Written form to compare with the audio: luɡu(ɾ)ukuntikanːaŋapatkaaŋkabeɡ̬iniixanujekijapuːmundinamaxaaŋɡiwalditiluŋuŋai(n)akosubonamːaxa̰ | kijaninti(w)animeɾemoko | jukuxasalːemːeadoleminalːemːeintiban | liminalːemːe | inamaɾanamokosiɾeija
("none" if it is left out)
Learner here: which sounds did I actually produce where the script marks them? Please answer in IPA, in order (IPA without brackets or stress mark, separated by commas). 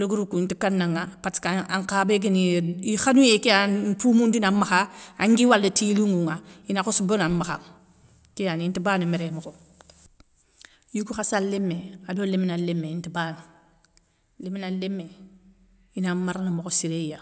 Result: ɾ, n, b